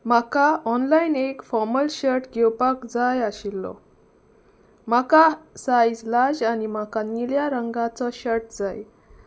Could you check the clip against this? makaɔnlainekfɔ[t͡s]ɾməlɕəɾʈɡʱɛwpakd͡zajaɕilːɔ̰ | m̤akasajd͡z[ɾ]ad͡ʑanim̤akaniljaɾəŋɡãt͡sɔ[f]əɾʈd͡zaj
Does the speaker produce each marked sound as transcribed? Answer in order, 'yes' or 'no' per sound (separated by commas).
no, no, no